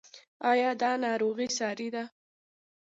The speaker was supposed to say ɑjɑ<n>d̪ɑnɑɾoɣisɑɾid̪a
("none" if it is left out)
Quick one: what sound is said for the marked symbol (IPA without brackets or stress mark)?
none